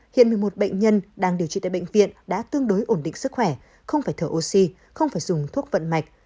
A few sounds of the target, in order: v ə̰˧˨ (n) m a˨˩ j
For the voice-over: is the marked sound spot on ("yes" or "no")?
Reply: yes